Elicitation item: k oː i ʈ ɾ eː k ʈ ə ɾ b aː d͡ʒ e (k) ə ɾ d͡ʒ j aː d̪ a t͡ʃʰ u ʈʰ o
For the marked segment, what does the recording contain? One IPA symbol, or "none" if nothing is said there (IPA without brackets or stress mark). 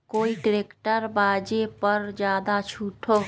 p